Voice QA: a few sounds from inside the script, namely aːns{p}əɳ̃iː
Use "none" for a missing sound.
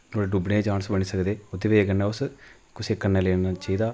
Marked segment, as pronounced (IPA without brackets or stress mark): b